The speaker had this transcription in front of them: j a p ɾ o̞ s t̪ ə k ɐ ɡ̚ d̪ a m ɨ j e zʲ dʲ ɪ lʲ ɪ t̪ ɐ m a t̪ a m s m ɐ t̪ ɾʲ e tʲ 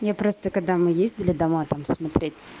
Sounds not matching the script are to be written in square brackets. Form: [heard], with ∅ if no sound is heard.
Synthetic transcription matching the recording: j a p ɾ o̞ s t̪ ə k ɐ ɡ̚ d̪ a m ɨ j e zʲ dʲ ɪ lʲ ɪ [d̪] ɐ m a t̪ a m s m ɐ t̪ ɾʲ e tʲ